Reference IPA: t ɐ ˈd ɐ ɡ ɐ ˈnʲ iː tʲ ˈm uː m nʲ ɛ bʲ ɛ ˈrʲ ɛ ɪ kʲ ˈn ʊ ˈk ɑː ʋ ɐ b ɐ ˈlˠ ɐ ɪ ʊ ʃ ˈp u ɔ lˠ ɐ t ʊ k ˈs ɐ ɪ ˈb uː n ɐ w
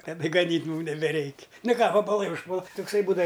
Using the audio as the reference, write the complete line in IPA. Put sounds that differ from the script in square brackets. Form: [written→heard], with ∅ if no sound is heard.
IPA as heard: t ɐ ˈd ɐ ɡ ɐ ˈnʲ iː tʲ ˈm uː m nʲ ɛ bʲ ɛ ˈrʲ ɛ ɪ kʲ ˈn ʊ ˈk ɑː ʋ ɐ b ɐ ˈlˠ ɐ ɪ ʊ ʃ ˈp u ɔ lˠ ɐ t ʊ k ˈs ɐ ɪ ˈb uː [n→d] ɐ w